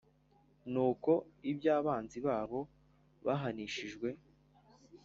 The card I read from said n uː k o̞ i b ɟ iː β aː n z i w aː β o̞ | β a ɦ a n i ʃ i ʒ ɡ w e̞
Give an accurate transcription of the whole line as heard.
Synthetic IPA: n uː k o̞ i b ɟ aː β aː n z i β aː β o̞ | β a ɦ a n i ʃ i ʒ ɡ w e̞